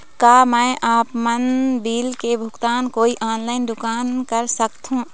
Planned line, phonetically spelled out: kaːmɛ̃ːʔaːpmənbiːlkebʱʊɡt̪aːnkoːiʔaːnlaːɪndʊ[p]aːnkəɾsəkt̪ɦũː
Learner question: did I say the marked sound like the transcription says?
no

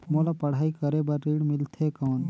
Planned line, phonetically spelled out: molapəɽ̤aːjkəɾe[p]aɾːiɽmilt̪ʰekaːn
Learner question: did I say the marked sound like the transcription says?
no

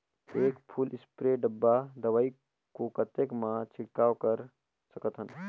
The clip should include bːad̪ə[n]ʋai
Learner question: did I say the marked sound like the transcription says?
no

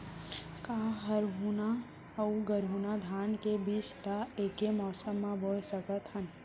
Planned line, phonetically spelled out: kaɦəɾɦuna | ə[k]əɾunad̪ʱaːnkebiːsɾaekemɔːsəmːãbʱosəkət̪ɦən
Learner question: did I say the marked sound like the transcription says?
no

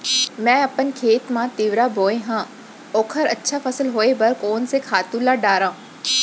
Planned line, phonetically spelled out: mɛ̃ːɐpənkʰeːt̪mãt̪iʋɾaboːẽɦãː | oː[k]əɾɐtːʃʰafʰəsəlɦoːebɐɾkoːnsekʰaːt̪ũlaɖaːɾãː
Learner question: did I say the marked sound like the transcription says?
no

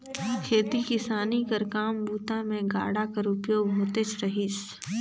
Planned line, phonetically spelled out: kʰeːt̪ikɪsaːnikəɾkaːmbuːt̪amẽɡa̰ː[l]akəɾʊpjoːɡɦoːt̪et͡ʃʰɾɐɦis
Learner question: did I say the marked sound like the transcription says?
no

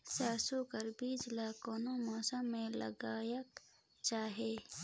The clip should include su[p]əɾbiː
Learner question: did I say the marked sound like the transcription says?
no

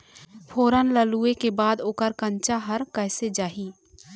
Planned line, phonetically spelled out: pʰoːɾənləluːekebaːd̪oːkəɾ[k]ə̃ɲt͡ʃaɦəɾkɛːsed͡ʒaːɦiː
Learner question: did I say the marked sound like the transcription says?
yes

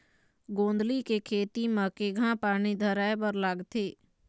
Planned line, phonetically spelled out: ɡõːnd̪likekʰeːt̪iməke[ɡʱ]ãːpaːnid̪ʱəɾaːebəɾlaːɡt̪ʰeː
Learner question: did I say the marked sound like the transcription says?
yes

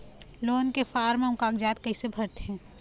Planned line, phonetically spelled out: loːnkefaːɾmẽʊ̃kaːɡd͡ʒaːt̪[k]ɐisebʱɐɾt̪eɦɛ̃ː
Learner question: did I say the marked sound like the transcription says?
yes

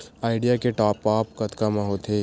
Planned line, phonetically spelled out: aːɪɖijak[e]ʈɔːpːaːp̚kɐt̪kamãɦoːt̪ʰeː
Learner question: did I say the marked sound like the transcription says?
yes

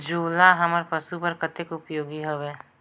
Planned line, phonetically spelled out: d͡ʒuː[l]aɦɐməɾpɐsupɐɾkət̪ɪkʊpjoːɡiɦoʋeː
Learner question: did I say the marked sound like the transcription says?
yes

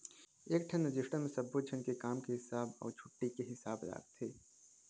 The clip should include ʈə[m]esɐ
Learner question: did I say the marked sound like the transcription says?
yes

